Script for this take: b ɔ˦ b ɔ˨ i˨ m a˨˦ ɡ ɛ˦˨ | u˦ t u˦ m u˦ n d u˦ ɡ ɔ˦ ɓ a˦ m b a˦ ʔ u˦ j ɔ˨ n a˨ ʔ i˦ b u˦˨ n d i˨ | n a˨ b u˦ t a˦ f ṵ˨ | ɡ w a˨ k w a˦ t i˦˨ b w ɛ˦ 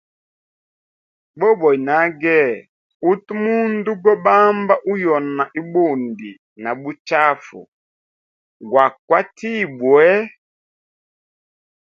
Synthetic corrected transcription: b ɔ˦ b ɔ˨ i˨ n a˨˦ ɡ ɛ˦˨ | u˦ t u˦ m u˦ n d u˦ ɡ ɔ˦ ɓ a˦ m b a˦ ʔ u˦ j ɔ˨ n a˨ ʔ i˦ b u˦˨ n d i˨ | n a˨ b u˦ t͡ʃ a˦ f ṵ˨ | ɡ w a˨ k w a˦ t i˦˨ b w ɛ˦